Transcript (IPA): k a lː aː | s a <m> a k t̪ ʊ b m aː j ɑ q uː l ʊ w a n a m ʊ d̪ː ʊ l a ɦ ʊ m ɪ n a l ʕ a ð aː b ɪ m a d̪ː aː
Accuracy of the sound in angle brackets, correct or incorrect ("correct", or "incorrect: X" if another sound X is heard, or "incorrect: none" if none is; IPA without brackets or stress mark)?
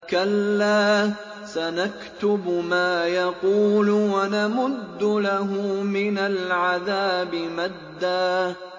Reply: incorrect: n